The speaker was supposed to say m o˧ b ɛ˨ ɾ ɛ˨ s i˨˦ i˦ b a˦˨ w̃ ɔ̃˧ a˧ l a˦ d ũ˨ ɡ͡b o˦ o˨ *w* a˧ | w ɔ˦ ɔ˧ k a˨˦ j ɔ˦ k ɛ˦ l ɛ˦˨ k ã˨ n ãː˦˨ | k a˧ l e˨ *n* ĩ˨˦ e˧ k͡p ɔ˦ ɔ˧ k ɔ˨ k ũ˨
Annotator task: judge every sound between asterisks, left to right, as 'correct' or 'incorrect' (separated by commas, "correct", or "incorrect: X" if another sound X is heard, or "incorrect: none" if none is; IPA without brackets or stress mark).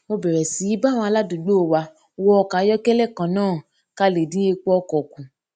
correct, incorrect: d